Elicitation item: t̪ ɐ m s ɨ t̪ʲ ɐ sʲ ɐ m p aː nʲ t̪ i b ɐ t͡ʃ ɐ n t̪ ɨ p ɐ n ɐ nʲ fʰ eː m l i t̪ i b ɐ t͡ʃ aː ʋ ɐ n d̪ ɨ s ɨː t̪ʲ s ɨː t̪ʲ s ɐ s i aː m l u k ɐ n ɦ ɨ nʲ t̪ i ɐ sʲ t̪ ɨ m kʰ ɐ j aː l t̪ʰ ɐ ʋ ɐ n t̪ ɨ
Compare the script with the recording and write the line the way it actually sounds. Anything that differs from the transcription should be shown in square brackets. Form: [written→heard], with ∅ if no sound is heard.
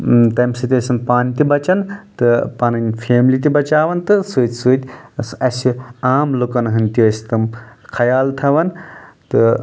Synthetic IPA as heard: t̪ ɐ m s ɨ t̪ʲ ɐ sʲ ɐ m p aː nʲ t̪ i b ɐ t͡ʃ ɐ n t̪ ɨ p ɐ n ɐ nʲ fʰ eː m l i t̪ i b ɐ t͡ʃ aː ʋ ɐ n [d̪→t̪] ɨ s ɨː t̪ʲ s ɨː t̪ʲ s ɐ s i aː m l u k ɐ n ɦ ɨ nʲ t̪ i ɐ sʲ t̪ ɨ m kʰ ɐ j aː l t̪ʰ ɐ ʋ ɐ n t̪ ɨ